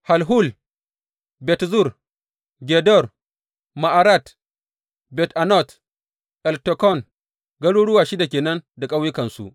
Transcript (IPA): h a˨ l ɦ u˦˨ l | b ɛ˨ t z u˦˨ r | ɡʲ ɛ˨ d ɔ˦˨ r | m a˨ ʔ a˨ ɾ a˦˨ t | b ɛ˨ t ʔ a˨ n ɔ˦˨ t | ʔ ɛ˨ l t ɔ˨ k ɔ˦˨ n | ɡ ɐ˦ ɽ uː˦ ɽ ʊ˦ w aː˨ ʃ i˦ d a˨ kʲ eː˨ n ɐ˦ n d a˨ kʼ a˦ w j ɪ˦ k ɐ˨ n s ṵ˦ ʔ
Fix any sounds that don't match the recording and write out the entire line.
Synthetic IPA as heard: h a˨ l ɦ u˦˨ l | b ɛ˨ t z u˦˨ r | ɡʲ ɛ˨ d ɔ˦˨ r | m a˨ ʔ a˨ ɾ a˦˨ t | b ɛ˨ t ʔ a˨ n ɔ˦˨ t | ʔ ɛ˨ l t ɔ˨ k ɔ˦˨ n | ɡ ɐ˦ ɽ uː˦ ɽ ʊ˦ w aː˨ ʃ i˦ d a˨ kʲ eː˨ n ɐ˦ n d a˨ kʼ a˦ w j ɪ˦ k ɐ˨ n s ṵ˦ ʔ